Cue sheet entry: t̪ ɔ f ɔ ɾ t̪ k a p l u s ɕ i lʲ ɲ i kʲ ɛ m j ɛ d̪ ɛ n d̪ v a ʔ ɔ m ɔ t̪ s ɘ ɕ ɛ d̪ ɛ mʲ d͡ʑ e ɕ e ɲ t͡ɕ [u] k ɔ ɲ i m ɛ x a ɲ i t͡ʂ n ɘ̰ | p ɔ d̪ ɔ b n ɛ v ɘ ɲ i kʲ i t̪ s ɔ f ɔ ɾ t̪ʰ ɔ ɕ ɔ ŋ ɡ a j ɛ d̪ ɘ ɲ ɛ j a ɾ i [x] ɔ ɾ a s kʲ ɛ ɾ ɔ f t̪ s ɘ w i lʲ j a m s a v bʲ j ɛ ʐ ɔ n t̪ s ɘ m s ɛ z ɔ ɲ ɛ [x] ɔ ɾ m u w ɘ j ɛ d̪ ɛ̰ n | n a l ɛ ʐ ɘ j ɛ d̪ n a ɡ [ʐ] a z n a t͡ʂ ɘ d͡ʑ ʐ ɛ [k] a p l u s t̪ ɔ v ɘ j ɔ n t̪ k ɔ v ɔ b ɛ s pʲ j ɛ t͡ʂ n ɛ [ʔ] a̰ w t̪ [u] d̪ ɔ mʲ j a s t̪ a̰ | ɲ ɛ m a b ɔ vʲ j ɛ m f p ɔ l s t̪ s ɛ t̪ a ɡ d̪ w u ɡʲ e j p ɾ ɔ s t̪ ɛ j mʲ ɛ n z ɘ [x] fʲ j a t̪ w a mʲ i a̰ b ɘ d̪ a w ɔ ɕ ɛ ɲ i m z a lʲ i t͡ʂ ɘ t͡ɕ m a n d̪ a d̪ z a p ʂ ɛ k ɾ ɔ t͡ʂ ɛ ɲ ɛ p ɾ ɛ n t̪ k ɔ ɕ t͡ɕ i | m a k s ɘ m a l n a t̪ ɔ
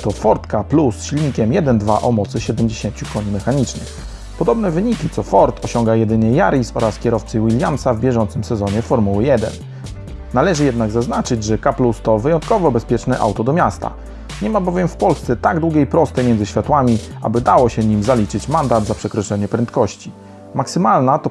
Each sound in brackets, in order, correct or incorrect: correct, incorrect: s, incorrect: f, incorrect: z, correct, correct, incorrect: ɔ, incorrect: ɕ

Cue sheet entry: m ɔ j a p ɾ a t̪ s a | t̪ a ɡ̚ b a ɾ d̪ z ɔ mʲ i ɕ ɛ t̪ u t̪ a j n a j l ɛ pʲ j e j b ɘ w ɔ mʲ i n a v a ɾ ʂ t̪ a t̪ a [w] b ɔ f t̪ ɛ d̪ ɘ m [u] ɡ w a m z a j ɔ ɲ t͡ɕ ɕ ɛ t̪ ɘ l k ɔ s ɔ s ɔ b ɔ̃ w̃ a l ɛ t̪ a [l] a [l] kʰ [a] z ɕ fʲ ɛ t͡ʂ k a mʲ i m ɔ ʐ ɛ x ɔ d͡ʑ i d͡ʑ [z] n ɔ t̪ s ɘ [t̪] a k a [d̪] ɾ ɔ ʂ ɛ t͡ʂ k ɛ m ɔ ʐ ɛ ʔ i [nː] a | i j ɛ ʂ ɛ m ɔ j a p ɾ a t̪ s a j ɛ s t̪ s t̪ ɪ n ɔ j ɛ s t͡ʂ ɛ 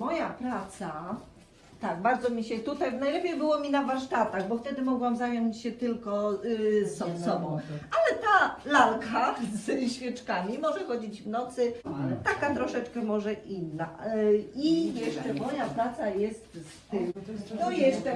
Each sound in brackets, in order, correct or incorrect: incorrect: ɣ, incorrect: ɔ, correct, correct, correct, incorrect: v, correct, incorrect: t̪, correct

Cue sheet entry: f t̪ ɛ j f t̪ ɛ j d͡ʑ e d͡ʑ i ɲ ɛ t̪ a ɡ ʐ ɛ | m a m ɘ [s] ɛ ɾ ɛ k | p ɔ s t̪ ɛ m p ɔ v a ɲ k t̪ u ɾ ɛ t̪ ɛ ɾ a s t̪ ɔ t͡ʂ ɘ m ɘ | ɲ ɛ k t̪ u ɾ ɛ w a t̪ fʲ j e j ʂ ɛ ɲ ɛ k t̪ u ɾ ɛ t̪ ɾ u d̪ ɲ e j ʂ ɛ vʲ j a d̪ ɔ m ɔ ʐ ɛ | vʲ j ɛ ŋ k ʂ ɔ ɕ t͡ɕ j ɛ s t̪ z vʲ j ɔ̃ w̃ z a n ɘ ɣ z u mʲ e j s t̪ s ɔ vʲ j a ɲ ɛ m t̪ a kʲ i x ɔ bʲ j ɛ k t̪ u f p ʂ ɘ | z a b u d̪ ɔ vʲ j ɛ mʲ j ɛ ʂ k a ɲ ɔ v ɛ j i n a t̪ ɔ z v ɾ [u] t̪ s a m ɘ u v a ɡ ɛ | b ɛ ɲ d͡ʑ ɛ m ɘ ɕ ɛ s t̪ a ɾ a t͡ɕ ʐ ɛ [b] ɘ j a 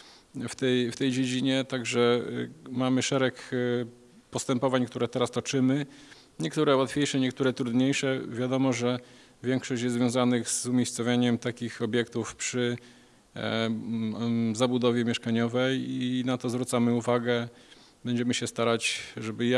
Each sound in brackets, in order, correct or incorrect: incorrect: ʂ, correct, correct

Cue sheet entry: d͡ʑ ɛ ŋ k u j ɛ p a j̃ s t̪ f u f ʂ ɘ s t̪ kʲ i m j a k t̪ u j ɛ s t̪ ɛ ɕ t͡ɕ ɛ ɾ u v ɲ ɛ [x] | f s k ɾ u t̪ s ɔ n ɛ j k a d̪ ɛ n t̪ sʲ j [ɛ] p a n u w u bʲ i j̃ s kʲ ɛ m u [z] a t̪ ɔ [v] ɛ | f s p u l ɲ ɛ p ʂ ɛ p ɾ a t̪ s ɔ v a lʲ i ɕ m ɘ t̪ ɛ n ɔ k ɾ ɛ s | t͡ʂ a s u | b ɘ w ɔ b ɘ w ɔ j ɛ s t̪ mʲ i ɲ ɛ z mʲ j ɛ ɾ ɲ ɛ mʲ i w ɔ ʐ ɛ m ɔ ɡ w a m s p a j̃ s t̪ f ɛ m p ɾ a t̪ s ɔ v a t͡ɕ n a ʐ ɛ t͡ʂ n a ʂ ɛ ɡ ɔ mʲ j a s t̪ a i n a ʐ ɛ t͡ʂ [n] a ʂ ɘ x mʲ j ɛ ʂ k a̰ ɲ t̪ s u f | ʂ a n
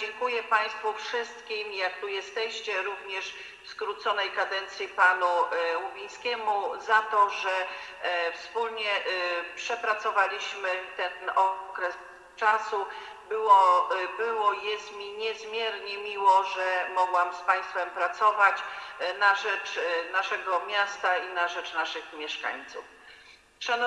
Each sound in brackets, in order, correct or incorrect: incorrect: ʂ, incorrect: i, correct, incorrect: ʐ, correct

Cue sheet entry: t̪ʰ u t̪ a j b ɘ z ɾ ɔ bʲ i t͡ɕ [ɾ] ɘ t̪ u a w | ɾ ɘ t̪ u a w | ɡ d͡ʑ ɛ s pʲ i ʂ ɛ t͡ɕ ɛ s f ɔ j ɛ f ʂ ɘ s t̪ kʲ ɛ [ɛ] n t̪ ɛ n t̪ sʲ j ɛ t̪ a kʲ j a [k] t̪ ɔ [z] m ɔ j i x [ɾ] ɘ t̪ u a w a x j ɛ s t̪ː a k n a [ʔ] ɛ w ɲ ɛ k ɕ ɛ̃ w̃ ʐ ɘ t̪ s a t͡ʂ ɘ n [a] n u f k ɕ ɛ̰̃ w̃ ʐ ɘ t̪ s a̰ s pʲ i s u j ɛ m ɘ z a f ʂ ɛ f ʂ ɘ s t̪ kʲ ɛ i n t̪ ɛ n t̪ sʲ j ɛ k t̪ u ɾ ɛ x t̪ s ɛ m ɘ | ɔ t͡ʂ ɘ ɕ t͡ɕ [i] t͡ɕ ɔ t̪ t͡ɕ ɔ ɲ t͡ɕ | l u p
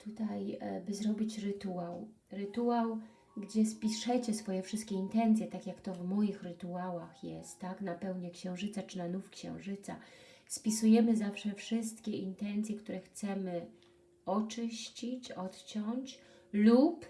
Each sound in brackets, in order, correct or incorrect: correct, incorrect: i, correct, incorrect: v, correct, incorrect: p, correct, correct

